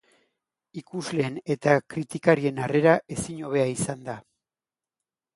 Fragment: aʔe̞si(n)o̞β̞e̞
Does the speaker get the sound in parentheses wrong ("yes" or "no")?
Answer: yes